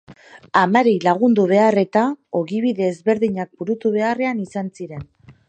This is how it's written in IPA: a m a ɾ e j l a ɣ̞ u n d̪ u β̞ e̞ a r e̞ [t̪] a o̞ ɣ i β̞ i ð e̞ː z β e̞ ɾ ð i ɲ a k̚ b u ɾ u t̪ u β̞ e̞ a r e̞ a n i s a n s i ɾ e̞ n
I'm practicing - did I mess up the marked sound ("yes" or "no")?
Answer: no